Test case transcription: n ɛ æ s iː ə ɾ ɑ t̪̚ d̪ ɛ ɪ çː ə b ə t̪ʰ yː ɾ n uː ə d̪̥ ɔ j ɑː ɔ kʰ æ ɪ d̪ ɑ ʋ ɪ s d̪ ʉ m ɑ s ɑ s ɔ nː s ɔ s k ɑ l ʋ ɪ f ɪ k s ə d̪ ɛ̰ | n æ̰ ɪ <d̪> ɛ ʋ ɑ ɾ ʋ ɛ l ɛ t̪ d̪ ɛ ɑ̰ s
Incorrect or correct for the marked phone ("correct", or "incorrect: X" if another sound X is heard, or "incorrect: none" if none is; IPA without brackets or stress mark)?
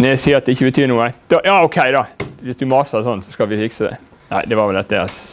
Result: correct